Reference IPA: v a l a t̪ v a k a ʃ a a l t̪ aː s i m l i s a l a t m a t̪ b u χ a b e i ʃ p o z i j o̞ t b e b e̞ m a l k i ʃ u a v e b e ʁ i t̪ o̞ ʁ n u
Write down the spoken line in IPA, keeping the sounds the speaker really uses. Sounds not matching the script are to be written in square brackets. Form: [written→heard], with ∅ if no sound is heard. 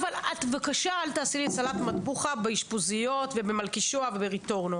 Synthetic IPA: v a l a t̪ v a k a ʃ a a l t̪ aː s i [m→∅] l i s a l a t m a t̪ b u χ a b e i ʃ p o z i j o̞ t [b→v] e b e̞ m a l k i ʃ [u→o] a v e b e ʁ i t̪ o̞ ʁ n [u→o]